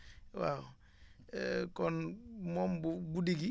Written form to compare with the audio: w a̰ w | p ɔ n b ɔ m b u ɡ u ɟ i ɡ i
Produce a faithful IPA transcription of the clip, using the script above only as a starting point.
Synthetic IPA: w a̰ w | k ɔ n m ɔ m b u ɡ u d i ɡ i

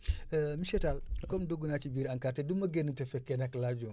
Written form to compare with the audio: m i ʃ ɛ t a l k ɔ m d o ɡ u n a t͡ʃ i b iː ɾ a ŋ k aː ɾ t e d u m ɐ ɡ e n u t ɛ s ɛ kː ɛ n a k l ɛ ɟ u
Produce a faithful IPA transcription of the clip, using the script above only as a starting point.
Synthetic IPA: m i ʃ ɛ t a l k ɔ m d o ɡ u n a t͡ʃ i b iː ɾ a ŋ k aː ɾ t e d u m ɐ ɡ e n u t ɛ f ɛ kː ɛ n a k l a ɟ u

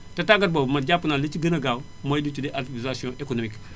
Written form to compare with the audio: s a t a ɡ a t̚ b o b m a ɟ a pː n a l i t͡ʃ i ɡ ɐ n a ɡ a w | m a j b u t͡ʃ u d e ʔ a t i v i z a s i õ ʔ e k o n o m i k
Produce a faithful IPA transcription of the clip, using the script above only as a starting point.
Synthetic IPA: t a t a ɡ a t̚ b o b m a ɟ a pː n a l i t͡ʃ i ɡ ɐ n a ɡ a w | m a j d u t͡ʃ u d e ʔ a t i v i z a s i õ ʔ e k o n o m i k

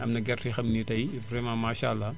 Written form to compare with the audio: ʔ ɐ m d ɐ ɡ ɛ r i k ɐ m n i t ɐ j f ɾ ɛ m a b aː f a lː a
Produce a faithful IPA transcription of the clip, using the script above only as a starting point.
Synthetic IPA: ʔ ɐ m n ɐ ɡ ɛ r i x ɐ m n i t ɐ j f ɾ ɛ m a m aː ʃ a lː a

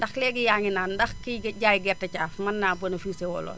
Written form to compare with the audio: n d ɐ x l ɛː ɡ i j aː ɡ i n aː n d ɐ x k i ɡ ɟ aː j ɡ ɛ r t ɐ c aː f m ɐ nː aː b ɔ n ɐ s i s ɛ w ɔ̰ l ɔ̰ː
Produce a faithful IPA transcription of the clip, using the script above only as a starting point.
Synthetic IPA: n d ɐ x l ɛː ɡ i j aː ŋ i n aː n d ɐ x k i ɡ ɟ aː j ɡ ɛ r t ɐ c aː f m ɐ nː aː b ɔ n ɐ f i s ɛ w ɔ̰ l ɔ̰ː

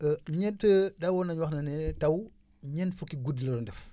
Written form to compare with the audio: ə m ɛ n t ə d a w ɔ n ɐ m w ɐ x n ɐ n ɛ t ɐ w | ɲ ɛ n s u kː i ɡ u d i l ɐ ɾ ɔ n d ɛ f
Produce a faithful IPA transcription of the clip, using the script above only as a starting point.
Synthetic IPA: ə ɲ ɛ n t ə d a w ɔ n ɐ ɲ w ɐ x n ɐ n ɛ t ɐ w | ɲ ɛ n f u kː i ɡ u d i l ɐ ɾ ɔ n d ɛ f

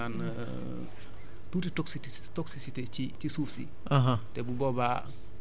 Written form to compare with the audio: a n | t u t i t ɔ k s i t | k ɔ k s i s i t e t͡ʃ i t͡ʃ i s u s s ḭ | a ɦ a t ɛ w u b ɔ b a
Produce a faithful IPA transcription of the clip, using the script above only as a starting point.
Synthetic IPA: a n | t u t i t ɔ k s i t | t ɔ k s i s i t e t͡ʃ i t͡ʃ i s u f s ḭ | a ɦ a t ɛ b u b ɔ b a

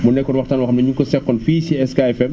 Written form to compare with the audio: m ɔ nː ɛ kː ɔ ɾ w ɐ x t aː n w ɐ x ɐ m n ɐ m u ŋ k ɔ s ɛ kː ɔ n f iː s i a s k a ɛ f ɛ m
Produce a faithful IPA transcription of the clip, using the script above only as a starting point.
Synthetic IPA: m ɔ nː ɛ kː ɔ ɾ w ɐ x t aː n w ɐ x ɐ m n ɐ ɲ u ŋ k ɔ s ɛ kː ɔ n f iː s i ɛ s k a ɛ f ɛ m

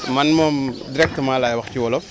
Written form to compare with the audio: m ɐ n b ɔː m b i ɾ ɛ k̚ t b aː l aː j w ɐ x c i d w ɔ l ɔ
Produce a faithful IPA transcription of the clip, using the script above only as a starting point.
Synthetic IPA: m ɐ n m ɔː m d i ɾ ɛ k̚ t m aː l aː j w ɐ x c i w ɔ l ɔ

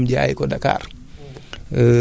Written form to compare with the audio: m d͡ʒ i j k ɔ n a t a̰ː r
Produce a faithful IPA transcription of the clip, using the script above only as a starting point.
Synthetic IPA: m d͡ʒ a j k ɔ d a k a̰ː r

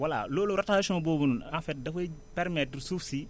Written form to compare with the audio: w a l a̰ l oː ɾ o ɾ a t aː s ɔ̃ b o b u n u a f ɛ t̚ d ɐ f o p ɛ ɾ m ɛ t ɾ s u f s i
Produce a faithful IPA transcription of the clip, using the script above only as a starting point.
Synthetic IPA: w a l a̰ l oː l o ɾ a t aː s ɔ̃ b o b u n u a f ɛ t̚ d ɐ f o p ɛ ɾ m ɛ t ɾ s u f s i

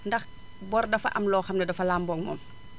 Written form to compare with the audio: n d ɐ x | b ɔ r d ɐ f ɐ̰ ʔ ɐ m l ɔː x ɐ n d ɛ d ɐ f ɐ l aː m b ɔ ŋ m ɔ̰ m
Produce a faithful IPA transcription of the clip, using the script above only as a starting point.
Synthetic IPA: n d ɐ x | b ɔ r d ɐ f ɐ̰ ʔ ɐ m l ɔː x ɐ m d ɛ d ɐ f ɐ l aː m b ɔ ŋ m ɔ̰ m

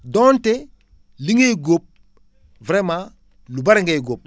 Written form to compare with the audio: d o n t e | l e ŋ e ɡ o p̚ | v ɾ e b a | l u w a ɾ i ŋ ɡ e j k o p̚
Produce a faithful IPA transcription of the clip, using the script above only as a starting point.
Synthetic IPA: d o n t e | l i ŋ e ɡ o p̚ | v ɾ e m a | l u b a ɾ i ŋ ɡ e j ɡ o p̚

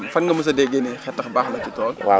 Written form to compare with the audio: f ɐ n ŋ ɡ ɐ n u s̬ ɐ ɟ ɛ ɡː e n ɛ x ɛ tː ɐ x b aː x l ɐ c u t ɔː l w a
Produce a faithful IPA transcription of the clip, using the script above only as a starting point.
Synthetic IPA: f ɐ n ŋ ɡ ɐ m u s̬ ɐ d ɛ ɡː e n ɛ x ɛ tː ɐ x b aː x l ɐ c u t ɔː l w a

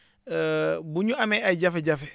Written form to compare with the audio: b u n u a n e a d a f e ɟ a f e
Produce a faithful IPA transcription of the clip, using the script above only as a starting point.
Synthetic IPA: b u ɲ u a m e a ɟ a f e ɟ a f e

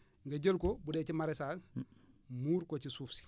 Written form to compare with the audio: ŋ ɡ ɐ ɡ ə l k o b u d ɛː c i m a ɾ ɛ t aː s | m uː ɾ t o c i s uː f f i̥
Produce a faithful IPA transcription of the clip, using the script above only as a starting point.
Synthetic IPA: ŋ ɡ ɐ ɟ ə l k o b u d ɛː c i m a ɾ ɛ s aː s | m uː ɾ k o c i s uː f s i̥

